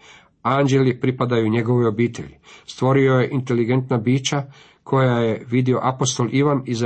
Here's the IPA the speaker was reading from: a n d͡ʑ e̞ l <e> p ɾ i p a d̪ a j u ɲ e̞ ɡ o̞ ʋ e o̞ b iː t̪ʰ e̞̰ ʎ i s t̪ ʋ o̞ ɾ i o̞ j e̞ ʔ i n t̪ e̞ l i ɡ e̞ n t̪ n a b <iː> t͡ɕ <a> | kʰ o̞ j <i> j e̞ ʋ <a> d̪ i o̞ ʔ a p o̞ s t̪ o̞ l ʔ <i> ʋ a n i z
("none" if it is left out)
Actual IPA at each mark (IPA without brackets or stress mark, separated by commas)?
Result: i, iː, a, a, i, i